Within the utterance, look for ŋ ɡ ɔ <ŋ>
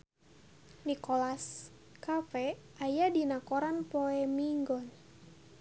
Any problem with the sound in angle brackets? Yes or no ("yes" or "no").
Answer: yes